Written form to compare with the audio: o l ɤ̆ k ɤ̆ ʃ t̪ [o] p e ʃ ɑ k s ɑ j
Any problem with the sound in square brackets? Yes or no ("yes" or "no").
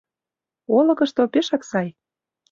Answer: no